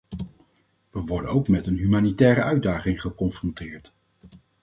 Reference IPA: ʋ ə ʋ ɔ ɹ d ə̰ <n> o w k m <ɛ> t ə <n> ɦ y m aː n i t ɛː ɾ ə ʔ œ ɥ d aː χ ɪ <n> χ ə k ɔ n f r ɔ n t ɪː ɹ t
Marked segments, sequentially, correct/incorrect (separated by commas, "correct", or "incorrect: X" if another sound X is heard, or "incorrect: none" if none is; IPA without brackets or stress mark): correct, correct, correct, incorrect: ŋ